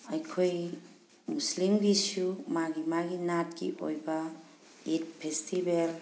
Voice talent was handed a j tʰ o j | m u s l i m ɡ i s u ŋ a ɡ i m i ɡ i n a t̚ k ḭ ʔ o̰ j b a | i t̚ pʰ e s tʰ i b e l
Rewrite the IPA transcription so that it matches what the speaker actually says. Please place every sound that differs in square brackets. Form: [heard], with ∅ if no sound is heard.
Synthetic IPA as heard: a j [kʰ] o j | m u s l i m ɡ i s u [m] a ɡ i m [a] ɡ i n a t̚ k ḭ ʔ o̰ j b a | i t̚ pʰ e s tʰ i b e l

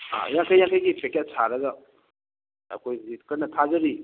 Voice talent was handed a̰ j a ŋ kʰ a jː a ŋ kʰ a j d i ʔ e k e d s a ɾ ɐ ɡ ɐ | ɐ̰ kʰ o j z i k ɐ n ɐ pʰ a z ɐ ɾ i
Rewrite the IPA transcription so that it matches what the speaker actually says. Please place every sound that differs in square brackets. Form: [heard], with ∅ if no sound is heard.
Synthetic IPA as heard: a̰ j a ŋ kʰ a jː a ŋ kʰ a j [ɡ] i [p] e k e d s a ɾ ɐ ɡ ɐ | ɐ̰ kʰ o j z i k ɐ n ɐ [tʰ] a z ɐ ɾ i

